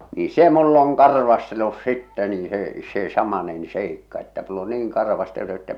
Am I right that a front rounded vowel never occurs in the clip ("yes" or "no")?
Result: yes